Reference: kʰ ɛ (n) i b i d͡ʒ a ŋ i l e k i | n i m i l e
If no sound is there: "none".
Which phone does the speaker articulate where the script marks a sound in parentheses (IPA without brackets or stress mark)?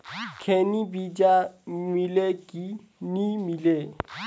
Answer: n